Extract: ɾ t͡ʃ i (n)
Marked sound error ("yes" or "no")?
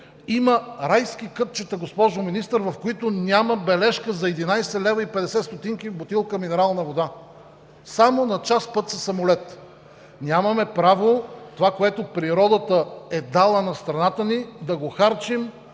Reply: yes